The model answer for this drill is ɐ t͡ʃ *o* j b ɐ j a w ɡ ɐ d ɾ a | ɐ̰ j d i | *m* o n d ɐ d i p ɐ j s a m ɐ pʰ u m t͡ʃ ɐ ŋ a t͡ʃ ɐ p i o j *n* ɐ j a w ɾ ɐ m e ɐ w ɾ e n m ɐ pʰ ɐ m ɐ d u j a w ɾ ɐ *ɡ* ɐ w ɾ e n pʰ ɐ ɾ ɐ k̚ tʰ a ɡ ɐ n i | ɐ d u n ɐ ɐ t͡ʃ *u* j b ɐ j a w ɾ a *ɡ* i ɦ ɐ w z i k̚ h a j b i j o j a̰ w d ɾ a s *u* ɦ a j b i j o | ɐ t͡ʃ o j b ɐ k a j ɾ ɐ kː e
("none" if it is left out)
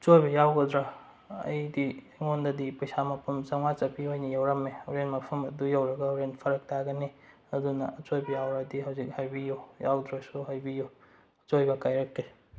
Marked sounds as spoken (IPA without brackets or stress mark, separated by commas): o, ŋ, n, ɡ, o, d, u